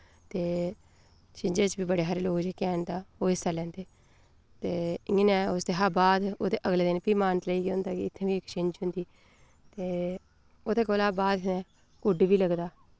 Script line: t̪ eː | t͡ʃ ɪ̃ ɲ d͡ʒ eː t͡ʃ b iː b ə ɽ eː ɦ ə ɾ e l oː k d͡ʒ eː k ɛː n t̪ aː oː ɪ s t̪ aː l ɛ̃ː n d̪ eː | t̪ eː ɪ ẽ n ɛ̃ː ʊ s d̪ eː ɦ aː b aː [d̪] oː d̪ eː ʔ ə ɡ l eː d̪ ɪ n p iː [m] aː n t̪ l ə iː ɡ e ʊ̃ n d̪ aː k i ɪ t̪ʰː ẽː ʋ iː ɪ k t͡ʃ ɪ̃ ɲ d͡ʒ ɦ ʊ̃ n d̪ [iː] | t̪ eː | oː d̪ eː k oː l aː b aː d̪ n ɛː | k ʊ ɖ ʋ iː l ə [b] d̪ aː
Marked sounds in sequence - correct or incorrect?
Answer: correct, correct, correct, incorrect: ɡ

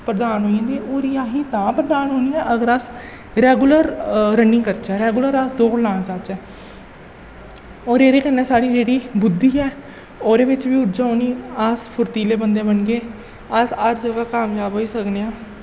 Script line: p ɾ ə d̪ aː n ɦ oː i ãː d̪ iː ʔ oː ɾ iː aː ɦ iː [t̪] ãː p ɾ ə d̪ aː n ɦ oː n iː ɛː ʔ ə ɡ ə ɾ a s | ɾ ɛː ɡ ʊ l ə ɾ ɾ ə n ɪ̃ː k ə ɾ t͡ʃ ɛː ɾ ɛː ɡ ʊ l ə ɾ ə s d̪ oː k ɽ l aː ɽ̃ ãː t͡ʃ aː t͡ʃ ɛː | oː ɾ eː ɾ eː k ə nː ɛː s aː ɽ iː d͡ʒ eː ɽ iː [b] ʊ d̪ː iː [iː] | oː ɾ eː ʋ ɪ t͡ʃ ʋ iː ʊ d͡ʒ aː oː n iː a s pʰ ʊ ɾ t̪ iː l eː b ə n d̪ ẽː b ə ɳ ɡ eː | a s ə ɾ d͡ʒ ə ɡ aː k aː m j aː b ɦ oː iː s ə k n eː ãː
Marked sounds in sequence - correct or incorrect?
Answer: correct, correct, incorrect: ɛː

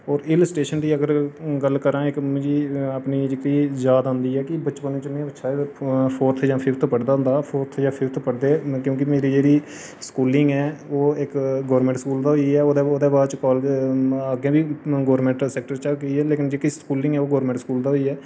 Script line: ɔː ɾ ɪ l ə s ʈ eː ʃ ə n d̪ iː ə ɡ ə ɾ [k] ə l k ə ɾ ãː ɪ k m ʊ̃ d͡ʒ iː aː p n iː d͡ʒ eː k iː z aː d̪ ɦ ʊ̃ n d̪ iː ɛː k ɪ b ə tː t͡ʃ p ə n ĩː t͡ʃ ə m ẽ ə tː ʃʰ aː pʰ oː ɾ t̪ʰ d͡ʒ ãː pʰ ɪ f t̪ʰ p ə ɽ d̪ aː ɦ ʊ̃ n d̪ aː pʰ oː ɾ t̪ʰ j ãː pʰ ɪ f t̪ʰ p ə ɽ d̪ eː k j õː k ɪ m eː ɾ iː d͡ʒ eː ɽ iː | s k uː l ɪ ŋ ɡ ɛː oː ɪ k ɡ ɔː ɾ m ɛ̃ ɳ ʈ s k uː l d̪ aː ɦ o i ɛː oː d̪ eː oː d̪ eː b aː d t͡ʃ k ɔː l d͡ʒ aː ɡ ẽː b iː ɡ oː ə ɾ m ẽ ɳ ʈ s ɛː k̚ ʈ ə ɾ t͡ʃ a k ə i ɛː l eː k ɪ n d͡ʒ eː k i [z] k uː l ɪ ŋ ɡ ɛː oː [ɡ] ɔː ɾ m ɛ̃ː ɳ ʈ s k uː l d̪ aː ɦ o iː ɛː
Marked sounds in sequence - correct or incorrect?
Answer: incorrect: ɡ, incorrect: s, correct

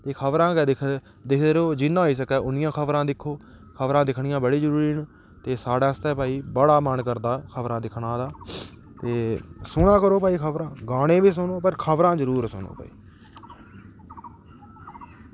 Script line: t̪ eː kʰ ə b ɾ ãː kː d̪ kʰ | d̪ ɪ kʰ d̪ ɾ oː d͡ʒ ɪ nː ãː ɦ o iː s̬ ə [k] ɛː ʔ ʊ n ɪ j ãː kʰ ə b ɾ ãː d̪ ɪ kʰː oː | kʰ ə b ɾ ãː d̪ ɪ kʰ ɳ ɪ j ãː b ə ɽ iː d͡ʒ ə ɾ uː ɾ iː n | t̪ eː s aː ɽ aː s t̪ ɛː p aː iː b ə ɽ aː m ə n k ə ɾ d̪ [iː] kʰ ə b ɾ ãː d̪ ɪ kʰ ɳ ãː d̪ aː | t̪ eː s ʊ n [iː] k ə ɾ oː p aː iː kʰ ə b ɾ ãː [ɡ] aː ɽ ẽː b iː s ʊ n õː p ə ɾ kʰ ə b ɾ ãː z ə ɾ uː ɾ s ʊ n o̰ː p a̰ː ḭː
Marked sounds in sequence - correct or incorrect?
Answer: correct, incorrect: aː, incorrect: aː, correct

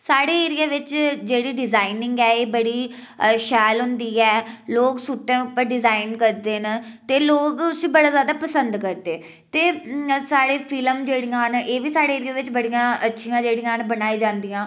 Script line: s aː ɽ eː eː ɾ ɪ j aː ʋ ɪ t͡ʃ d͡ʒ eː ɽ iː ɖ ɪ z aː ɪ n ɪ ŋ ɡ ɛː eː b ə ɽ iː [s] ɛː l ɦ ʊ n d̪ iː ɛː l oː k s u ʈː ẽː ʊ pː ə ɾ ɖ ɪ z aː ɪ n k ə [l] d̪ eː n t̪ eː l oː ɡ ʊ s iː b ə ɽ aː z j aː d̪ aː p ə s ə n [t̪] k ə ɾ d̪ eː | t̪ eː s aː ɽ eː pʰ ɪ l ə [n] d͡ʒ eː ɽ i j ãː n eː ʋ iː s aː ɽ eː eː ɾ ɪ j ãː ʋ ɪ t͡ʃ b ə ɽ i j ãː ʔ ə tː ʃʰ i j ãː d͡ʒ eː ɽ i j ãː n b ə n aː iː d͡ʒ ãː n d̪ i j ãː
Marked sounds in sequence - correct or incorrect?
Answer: incorrect: ʃ, incorrect: ɾ, incorrect: d̪, incorrect: m

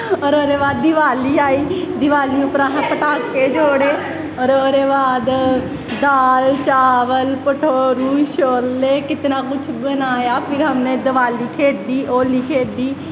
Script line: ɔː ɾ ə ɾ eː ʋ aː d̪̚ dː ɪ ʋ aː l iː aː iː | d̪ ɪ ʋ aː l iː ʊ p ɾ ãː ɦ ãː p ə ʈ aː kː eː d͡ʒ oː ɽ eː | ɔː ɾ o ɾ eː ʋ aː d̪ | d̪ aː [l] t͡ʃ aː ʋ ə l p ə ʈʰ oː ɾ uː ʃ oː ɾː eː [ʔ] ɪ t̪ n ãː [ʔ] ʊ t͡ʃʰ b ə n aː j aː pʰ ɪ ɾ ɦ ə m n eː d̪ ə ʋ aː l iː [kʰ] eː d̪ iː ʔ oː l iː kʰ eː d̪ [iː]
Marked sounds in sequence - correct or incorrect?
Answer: correct, incorrect: k, incorrect: k, correct, correct

